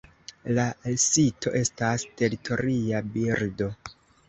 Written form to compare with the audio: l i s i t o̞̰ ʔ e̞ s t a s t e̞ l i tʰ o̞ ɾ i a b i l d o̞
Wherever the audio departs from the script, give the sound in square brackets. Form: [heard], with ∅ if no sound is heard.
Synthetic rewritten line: l [a] s i t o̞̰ ʔ e̞ s t a s t e̞ [ɾ] i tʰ o̞ ɾ i a b i [ɾ] d o̞